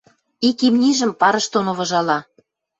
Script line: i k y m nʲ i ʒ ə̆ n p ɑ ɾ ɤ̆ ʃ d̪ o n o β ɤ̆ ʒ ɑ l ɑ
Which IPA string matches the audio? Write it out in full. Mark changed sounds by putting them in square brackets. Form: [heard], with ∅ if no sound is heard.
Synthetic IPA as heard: i k [i] m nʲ i ʒ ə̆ [m] p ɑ ɾ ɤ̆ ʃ [t̪] o n o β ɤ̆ ʒ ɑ l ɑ